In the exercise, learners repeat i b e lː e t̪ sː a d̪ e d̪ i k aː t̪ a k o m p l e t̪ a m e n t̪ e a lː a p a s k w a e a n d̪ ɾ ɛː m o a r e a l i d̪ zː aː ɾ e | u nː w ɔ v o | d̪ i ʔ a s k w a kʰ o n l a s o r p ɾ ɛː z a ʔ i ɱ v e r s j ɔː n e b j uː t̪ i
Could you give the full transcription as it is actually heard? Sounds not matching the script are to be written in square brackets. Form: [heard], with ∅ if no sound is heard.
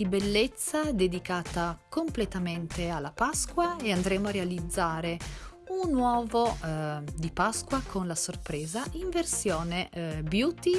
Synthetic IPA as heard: i b e lː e t̪ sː a d̪ e d̪ i k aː t̪ a k o m p l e t̪ a m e n t̪ e a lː a p a s k w a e a n d̪ ɾ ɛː m o a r e a l i d̪ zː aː ɾ e | u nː w [ɔː] v o | d̪ i [p] a s k w a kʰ o n l a s o r p ɾ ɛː z a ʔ i ɱ v e r s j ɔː n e b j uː t̪ i

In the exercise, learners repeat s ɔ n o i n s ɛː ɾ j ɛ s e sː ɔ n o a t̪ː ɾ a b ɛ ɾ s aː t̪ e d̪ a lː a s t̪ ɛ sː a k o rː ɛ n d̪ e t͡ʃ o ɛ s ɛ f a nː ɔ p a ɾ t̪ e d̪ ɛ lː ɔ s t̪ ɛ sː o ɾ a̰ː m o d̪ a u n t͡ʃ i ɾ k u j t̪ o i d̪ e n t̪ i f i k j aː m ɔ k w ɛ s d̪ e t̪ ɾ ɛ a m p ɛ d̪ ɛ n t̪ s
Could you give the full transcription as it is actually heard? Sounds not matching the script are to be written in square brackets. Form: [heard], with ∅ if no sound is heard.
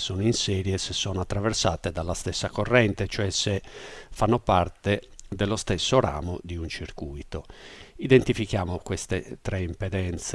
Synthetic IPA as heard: s ɔ n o i n s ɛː ɾ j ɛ s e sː ɔ n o a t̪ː ɾ a [v] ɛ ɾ s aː t̪ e d̪ a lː a s t̪ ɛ sː a k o rː ɛ n [t̪] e t͡ʃ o ɛ s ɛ f a nː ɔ p a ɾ t̪ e d̪ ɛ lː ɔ s t̪ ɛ sː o ɾ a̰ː m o d̪ [i] u n t͡ʃ i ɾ k u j t̪ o i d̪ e n t̪ i f i k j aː m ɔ k w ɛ s [t̪] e t̪ ɾ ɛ [i] m p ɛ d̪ ɛ n t̪ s

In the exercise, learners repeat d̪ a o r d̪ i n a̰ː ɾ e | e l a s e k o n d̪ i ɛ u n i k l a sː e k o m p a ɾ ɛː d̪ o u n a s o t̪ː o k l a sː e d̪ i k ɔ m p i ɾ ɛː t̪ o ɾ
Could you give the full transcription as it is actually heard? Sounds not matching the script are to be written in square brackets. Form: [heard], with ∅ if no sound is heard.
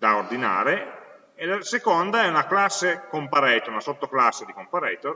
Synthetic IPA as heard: d̪ a o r d̪ i n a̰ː ɾ e | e l a s e k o n d̪ [a] ɛ u n [a] k l a sː e k o m p a ɾ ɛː [t̪] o u n a s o t̪ː o k l a sː e d̪ i k [o] m p [a] ɾ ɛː t̪ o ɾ

